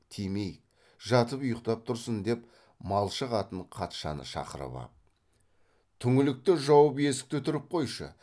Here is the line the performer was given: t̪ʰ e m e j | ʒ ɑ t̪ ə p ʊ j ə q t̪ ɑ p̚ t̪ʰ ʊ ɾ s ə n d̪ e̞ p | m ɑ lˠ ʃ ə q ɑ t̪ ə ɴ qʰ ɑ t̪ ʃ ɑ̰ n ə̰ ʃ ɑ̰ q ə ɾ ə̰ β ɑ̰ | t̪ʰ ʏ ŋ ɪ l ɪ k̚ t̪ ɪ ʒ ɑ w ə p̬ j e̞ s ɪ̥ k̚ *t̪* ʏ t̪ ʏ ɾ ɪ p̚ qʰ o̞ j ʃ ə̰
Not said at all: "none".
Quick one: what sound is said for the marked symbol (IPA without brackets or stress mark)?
t̪